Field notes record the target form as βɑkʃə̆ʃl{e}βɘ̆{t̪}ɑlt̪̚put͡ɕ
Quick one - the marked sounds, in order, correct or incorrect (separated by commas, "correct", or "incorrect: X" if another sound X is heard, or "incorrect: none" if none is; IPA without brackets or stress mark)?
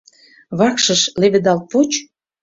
correct, incorrect: d̪